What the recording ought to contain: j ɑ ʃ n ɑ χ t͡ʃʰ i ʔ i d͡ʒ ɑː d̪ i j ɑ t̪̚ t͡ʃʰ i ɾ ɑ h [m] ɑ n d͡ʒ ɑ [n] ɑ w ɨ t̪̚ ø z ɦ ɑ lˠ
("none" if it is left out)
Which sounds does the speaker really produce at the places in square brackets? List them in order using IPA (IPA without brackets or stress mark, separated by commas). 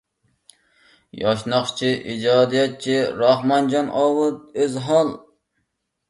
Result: m, n